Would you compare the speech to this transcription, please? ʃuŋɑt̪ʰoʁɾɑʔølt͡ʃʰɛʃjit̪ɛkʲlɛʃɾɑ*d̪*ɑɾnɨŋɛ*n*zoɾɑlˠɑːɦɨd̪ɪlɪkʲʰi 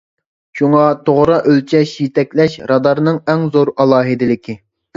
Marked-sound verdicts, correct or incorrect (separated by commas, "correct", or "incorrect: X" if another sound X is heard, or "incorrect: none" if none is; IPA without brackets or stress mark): correct, incorrect: ŋ